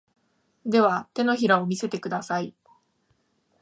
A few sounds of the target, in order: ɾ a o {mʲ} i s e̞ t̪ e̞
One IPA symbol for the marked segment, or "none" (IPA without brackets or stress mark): mʲ